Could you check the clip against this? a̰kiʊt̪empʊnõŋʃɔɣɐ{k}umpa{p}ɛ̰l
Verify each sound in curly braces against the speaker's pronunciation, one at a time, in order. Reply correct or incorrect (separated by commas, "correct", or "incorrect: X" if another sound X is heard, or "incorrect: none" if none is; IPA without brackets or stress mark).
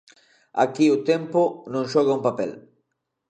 incorrect: none, correct